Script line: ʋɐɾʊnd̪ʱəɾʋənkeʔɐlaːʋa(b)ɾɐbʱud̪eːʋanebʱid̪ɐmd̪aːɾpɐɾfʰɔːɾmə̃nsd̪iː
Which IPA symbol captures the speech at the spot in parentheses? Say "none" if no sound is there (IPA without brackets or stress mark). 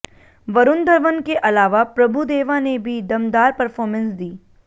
p